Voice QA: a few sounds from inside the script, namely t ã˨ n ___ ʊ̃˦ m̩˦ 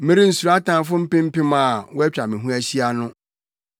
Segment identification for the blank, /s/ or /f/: f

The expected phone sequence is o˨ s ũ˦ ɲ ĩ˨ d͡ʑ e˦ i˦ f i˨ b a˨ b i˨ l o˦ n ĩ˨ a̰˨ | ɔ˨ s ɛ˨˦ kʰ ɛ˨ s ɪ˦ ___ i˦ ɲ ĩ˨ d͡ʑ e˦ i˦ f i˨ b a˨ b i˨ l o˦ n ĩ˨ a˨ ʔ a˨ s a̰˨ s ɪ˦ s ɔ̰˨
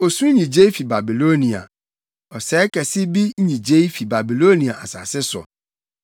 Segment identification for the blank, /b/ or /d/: b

